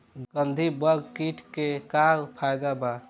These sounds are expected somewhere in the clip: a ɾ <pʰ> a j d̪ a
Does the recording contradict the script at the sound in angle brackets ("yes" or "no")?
no